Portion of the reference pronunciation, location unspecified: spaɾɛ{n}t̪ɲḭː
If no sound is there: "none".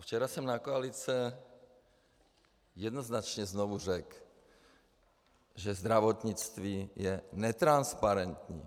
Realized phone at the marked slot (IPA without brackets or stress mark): n